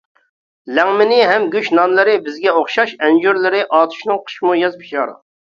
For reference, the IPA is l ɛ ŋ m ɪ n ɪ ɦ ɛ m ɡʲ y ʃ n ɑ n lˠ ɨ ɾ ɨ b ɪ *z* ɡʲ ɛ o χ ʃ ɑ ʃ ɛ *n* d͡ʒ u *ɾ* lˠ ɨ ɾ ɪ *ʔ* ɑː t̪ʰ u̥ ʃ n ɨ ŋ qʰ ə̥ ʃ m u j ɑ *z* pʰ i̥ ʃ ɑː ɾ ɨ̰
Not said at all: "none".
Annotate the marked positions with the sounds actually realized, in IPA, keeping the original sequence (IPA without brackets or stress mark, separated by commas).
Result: z, n, ɾ, ʔ, z